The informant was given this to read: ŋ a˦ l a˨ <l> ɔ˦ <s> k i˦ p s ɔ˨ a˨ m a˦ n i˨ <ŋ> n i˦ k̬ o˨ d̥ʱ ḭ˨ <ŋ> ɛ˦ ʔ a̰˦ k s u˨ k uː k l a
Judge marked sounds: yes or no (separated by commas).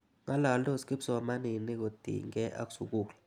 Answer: yes, yes, no, yes